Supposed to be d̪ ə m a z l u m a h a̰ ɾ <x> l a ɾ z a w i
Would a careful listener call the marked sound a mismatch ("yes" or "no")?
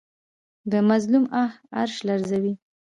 yes